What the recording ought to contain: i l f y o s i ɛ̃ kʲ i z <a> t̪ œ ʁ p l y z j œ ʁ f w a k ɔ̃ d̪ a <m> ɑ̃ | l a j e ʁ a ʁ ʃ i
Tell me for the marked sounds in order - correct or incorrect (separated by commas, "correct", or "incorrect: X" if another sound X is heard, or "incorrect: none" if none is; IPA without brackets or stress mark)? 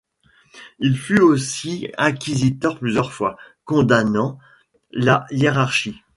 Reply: incorrect: i, incorrect: n